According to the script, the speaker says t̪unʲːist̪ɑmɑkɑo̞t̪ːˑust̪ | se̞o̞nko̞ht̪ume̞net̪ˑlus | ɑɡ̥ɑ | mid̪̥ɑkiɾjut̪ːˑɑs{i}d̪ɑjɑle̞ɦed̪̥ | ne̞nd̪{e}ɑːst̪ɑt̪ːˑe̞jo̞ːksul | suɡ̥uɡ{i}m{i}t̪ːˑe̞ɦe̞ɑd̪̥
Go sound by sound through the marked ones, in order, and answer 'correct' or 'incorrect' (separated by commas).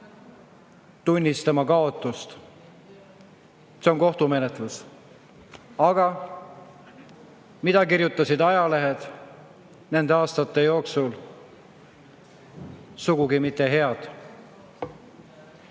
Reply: correct, correct, correct, correct